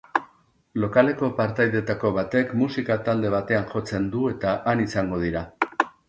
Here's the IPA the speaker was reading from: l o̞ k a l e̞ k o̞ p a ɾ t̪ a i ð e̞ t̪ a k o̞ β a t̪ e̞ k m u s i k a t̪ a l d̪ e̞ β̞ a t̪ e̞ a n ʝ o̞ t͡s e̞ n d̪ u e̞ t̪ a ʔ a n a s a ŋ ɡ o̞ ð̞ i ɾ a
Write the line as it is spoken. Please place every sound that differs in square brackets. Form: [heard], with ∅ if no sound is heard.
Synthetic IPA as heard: l o̞ k a l e̞ k o̞ p a ɾ t̪ a [j] ð e̞ t̪ a k o̞ β a t̪ e̞ k m u s i k a t̪ a l d̪ e̞ β̞ a t̪ e̞ a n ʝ o̞ t͡s e̞ n d̪ u e̞ t̪ a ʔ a n [i] s a ŋ ɡ o̞ ð̞ i ɾ a